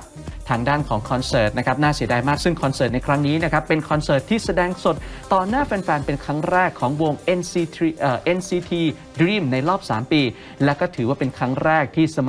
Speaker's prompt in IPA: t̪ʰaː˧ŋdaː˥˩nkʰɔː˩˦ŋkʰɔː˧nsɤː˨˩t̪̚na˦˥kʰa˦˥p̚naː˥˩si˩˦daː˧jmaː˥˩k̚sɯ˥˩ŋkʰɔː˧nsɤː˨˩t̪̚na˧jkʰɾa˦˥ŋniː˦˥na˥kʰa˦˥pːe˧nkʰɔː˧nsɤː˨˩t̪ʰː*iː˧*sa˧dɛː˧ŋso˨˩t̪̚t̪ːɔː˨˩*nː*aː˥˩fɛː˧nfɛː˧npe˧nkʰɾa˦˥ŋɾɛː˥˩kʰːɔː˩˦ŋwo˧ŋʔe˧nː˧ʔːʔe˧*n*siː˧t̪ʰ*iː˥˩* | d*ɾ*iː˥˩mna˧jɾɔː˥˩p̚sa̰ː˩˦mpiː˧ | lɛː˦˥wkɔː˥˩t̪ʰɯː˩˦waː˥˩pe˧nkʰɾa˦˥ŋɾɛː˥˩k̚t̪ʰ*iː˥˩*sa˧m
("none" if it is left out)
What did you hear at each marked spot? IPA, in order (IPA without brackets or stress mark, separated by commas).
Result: iː˥˩, n, n, iː˧, ɾ, iː˥˩